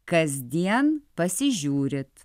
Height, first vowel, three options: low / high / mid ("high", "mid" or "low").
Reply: low